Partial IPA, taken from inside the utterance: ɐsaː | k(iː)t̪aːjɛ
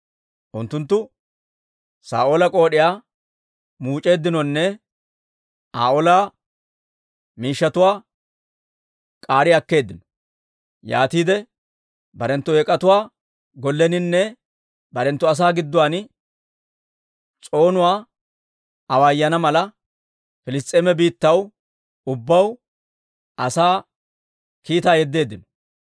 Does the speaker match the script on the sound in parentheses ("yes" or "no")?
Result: yes